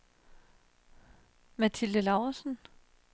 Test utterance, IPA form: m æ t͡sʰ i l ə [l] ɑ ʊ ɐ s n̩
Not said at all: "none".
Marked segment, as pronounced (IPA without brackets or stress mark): l